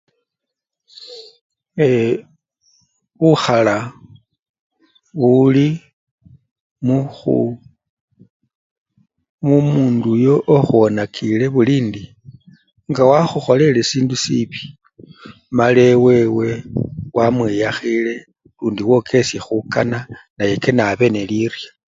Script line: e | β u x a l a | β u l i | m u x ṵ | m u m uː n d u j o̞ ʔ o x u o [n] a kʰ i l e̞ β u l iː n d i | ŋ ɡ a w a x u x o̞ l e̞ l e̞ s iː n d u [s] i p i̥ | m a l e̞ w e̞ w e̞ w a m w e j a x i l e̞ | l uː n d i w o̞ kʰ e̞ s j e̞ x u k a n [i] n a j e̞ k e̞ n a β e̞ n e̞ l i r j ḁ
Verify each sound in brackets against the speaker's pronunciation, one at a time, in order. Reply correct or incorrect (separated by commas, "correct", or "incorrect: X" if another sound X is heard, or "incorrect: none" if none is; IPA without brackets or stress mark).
correct, correct, incorrect: a